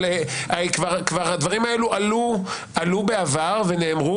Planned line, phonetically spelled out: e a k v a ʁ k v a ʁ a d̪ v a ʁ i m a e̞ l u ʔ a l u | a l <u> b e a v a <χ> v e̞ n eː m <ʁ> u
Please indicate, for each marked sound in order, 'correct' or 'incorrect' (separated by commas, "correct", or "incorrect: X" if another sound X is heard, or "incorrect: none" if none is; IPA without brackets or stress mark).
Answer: correct, incorrect: ʁ, correct